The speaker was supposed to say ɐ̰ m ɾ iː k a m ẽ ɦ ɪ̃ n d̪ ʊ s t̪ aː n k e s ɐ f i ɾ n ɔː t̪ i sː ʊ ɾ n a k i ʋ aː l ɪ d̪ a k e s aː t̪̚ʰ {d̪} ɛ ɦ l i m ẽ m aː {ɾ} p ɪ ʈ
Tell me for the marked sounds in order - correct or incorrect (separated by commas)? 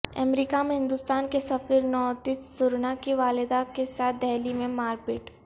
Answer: correct, correct